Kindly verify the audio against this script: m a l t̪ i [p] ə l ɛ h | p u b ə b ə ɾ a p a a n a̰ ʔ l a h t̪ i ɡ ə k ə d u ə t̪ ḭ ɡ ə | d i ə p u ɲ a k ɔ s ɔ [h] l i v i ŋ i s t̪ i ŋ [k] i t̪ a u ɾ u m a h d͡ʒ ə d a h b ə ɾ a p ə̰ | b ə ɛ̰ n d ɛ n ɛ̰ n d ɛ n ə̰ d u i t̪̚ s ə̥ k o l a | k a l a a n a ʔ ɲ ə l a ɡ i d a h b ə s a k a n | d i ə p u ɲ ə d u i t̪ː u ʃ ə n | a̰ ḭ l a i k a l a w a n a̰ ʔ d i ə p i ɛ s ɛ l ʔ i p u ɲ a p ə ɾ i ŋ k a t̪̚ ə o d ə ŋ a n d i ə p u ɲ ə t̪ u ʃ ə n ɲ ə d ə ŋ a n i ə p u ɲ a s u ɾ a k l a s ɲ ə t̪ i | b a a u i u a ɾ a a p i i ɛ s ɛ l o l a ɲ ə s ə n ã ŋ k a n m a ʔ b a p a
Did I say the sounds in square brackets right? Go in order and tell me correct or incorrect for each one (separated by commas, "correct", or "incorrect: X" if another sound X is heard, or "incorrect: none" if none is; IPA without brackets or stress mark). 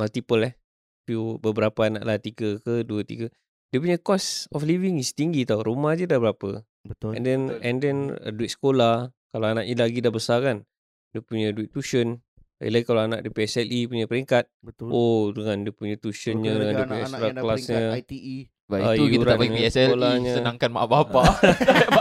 correct, incorrect: f, incorrect: ɡ